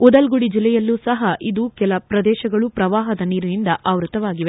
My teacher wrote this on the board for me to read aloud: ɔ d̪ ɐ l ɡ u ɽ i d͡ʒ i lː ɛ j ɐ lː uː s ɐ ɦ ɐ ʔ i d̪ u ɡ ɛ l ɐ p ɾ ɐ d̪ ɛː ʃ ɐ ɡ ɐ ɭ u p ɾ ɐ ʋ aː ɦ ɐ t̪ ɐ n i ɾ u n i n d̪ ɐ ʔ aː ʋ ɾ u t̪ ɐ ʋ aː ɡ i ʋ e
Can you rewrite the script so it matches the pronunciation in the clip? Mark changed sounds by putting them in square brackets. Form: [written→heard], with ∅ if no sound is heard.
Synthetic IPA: ɔ d̪ ɐ l ɡ u ɽ i d͡ʒ i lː ɛ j ɐ lː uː s ɐ ɦ ɐ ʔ i d̪ u [ɡ→k] ɛ l ɐ p ɾ ɐ d̪ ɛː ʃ ɐ ɡ ɐ ɭ u p ɾ ɐ ʋ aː ɦ ɐ [t̪→d̪] ɐ n [i→iː] ɾ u n i n d̪ ɐ ʔ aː ʋ ɾ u t̪ ɐ ʋ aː ɡ i ʋ e

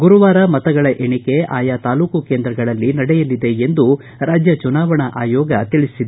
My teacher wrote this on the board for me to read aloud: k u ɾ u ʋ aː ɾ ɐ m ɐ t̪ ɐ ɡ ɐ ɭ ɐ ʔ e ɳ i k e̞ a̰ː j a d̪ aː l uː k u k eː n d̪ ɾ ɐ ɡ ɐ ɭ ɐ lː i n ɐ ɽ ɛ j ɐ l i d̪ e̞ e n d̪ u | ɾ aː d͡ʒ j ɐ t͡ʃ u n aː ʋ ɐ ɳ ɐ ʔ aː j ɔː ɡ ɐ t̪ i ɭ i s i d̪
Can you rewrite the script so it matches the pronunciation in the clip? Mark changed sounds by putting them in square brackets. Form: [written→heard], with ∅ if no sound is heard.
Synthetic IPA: [k→ɡ] u ɾ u ʋ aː ɾ ɐ m ɐ t̪ ɐ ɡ ɐ ɭ ɐ ʔ e ɳ i k e̞ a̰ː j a [d̪→t̪] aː l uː k u k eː n d̪ ɾ ɐ ɡ ɐ ɭ ɐ lː i n ɐ ɽ ɛ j ɐ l i d̪ e̞ e n d̪ u | ɾ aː d͡ʒ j ɐ t͡ʃ u n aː ʋ ɐ ɳ ɐ ʔ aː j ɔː ɡ ɐ t̪ i ɭ i s i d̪

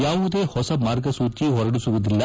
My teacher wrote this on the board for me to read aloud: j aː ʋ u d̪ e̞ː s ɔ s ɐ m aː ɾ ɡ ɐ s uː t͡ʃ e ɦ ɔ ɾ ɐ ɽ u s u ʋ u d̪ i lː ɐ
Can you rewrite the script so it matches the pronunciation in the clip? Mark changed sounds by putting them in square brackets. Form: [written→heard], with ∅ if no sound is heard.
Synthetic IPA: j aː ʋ u d̪ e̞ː [s→h] ɔ s ɐ m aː ɾ ɡ ɐ s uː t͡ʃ [e→i] ɦ ɔ ɾ ɐ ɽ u s u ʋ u d̪ i lː ɐ

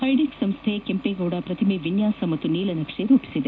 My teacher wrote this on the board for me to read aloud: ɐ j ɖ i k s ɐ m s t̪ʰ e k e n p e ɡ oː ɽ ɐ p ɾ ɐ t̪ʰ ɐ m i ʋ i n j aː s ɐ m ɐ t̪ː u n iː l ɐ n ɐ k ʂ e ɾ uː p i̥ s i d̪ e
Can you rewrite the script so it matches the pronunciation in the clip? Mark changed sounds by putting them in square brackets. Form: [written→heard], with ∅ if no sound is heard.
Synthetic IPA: ɐ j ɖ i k s ɐ m s t̪ʰ e k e [n→m] p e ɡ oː ɽ ɐ p ɾ ɐ t̪ʰ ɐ m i ʋ i n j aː s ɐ m ɐ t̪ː u n iː l ɐ n ɐ k ʂ e ɾ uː p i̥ s i d̪ e

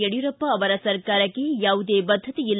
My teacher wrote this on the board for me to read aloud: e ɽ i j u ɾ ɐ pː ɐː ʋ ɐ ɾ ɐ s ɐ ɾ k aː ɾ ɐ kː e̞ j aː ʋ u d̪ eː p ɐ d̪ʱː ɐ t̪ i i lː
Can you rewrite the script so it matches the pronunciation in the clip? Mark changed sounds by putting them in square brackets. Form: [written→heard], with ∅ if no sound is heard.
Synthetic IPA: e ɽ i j u ɾ ɐ pː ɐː ʋ ɐ ɾ ɐ s ɐ ɾ k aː ɾ ɐ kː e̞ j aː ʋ u d̪ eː [p→b] ɐ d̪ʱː ɐ t̪ i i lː

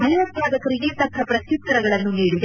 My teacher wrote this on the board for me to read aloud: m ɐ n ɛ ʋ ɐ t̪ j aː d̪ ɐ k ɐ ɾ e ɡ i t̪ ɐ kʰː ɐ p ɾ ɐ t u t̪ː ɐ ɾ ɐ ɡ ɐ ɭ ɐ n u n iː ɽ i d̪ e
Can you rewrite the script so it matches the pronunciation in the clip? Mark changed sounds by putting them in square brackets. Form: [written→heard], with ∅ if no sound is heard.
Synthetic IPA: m ɐ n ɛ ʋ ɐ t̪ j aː d̪ ɐ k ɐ ɾ [e→i] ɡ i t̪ ɐ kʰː ɐ p ɾ ɐ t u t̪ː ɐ ɾ ɐ ɡ ɐ ɭ ɐ [n→nː] u n iː ɽ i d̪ e

